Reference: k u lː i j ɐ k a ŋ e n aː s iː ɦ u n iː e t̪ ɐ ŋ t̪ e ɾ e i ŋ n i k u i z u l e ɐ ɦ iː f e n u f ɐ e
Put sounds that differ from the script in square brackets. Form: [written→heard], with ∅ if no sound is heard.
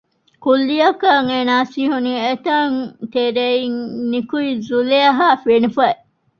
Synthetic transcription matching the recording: k u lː i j ɐ k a ŋ e n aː s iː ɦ u n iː e t̪ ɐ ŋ t̪ e ɾ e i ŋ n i k u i z u l e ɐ ɦ [iː→aː] f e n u f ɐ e